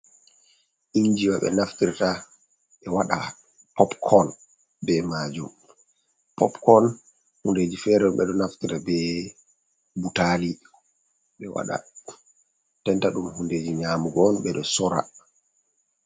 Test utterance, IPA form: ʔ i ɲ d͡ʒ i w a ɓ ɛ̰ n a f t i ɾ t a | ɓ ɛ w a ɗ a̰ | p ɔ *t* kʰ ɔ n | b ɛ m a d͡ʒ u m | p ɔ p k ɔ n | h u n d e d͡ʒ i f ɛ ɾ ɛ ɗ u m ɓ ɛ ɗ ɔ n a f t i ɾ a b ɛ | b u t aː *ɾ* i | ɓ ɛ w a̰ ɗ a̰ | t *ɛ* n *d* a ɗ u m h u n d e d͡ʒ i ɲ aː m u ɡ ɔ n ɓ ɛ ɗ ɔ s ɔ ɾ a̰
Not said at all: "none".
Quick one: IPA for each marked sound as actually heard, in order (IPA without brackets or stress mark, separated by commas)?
p, l, ɛ, t